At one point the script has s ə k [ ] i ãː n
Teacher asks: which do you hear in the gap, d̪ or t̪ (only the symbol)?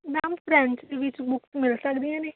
d̪